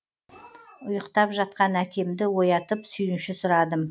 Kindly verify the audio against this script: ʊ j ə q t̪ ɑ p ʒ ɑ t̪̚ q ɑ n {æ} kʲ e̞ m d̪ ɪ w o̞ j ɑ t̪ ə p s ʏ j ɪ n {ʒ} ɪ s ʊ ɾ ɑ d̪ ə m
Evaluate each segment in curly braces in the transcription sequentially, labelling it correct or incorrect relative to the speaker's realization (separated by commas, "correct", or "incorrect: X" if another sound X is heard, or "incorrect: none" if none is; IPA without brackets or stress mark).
correct, incorrect: ʃ